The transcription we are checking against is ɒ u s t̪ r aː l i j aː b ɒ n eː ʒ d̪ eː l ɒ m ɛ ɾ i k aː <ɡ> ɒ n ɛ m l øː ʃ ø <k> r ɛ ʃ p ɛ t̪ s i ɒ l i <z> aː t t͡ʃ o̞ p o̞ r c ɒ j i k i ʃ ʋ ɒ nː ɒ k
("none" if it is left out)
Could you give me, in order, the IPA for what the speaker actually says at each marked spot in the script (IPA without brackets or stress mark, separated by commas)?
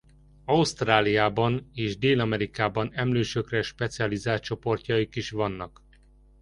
b, k, z